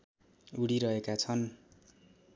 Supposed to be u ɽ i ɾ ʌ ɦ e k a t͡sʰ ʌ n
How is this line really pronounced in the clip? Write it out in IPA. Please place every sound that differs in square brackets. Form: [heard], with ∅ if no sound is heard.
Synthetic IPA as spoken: u ɽ i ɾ ʌ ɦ e k a t͡sʰ ʌ n